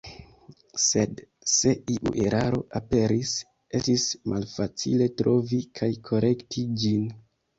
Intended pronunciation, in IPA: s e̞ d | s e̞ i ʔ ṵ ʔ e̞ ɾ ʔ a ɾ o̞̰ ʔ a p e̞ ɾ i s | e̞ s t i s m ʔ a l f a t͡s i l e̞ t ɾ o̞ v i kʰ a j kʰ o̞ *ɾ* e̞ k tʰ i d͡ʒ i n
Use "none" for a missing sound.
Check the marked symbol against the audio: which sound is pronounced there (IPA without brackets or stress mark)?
ɾ